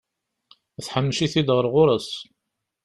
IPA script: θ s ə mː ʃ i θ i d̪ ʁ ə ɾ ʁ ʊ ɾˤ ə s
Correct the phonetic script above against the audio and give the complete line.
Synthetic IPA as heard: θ ħ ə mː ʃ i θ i d̪ ʁ ə ɾ ʁ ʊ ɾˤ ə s